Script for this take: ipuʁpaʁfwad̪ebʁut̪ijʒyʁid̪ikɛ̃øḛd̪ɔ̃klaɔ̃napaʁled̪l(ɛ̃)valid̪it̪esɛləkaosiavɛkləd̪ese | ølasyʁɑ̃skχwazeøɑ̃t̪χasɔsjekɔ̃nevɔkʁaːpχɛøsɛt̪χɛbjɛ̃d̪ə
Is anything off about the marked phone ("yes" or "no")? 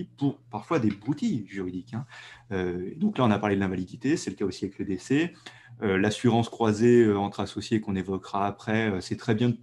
no